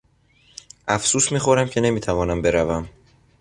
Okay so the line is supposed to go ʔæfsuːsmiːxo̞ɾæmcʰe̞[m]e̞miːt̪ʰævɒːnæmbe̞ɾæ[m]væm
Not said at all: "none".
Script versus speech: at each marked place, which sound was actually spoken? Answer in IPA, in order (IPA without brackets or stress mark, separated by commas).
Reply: n, none